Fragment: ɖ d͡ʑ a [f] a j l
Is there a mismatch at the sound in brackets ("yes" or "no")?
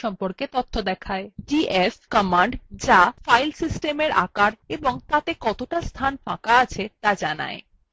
no